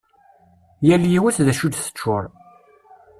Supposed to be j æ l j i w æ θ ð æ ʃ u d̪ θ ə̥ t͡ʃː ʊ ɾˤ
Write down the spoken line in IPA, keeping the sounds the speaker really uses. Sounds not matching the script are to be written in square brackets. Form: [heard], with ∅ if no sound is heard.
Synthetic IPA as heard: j æ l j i w æ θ ð æ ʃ u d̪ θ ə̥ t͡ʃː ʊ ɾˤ